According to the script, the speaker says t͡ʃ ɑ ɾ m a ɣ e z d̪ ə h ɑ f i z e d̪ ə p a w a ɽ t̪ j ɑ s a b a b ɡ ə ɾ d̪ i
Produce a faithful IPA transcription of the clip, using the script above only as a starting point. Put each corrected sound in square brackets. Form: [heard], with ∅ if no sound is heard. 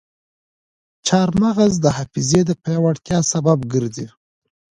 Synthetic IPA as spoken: t͡ʃ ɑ ɾ m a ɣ [a] z d̪ ə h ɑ f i z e d̪ ə p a w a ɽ t̪ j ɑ s a b a b ɡ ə ɾ d̪ i